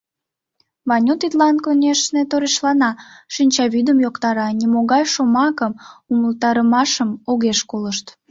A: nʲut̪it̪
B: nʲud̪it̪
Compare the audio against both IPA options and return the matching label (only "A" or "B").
A